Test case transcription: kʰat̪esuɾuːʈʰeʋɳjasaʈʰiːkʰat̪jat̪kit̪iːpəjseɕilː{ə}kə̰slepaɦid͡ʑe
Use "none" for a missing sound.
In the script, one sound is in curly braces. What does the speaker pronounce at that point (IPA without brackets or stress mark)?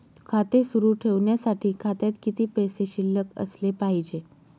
ə